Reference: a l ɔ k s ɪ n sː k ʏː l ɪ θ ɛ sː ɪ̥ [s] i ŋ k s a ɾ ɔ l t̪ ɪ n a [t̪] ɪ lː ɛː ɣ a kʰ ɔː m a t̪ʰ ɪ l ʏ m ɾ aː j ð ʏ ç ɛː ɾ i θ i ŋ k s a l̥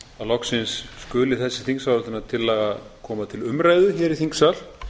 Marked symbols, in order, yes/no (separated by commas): no, no